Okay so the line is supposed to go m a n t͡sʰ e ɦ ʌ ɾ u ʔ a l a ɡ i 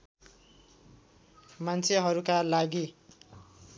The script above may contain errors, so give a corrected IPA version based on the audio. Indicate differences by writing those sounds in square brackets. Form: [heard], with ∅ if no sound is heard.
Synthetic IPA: m a n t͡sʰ e ɦ ʌ ɾ u [k] a l a ɡ i